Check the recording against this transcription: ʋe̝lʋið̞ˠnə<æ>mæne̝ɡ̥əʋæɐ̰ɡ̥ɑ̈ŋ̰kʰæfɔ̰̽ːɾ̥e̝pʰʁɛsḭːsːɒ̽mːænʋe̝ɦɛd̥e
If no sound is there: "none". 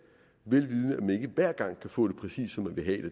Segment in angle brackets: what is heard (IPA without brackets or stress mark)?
æ